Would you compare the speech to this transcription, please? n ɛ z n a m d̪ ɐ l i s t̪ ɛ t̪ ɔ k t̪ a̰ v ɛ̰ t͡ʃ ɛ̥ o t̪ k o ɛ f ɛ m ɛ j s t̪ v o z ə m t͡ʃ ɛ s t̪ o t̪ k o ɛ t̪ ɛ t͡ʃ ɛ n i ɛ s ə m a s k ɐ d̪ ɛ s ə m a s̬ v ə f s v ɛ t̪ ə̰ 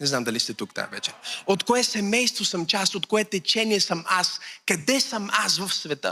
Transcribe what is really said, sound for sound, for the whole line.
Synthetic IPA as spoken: n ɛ z n a m d̪ ɐ l i s t̪ ɛ t̪ u k t̪ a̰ v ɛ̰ t͡ʃ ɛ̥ o t̪ k o ɛ s ɛ m ɛ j s t̪ v o s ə m t͡ʃ a s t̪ o t̪ k o ɛ t̪ ɛ t͡ʃ ɛ n i ɛ s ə m a s k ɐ d̪ ɛ s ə m a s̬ v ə f s v ɛ t̪ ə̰